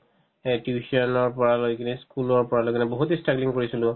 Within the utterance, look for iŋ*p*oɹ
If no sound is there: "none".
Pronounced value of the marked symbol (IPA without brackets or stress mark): k